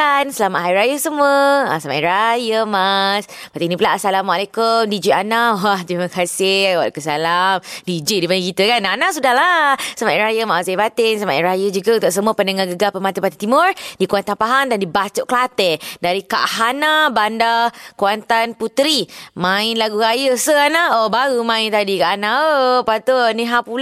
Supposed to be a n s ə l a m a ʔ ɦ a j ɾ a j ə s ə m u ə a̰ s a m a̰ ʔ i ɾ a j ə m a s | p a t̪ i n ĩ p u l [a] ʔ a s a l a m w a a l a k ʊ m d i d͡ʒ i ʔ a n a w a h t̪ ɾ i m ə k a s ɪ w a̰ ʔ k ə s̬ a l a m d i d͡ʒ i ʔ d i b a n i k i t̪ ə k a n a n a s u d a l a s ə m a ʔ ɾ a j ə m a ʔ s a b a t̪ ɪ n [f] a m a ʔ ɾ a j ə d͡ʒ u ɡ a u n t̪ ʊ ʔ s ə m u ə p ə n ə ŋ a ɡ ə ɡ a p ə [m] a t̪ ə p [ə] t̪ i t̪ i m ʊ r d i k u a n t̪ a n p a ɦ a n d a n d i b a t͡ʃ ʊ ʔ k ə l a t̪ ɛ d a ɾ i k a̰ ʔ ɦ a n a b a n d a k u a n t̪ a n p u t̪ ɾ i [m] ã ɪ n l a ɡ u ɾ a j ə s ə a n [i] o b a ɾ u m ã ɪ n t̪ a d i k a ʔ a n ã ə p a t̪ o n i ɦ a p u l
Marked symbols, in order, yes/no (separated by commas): yes, no, yes, no, yes, no